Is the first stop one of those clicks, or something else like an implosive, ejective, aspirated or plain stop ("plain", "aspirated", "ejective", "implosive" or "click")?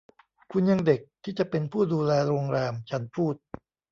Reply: aspirated